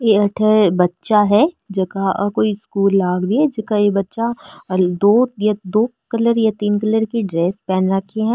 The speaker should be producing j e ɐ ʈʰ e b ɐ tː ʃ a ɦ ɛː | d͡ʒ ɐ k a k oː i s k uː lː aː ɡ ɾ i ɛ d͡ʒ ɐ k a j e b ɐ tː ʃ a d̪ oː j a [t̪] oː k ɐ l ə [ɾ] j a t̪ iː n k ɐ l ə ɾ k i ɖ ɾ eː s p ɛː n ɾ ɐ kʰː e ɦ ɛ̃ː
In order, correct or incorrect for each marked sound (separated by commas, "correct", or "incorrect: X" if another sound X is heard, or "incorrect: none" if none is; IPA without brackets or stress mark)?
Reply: incorrect: d̪, correct